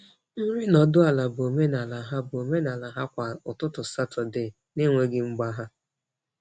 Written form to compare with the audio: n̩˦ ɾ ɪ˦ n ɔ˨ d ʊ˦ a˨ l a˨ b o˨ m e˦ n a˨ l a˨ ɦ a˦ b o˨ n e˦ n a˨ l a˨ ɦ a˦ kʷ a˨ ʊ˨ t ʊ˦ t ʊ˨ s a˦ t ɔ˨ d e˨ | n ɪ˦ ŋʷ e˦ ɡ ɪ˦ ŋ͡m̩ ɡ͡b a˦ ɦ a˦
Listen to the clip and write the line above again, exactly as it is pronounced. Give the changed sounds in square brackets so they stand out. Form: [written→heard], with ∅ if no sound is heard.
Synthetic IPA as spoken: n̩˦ ɾ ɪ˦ n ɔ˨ d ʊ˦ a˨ l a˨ b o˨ m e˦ n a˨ l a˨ ɦ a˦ b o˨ [n→m] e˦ n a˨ l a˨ ɦ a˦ kʷ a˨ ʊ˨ t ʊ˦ t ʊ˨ s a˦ t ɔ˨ d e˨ | n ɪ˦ ŋʷ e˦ ɡ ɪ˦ ŋ͡m̩ ɡ͡b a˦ ɦ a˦